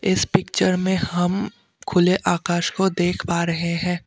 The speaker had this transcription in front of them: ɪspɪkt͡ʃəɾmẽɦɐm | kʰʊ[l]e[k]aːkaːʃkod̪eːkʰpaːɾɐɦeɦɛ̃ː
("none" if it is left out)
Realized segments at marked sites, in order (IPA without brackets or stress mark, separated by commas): l, ʔ